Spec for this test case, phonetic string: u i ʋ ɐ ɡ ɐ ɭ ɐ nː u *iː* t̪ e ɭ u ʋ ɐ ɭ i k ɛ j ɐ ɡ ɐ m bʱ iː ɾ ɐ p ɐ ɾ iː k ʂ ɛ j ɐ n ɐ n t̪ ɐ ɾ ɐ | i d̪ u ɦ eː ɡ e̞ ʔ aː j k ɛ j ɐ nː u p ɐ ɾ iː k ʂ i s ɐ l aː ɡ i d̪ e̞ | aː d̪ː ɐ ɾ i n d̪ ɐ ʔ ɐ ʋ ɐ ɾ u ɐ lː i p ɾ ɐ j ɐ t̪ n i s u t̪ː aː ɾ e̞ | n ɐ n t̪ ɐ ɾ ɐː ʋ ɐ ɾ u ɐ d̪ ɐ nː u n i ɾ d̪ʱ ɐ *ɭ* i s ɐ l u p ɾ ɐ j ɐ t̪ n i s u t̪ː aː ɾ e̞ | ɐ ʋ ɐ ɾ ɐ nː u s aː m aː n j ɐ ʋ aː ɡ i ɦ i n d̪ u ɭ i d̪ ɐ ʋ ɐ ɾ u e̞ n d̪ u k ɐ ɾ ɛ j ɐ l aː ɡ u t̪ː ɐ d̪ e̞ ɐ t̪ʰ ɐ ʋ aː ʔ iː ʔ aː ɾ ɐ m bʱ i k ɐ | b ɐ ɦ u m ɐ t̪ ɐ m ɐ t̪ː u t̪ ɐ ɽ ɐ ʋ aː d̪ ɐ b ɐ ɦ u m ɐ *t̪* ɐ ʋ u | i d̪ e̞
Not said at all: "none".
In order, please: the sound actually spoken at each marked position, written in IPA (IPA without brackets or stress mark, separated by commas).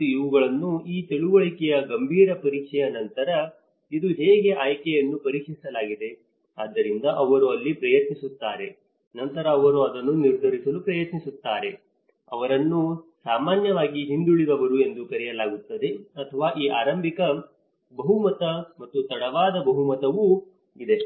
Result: iː, ɾ, t̪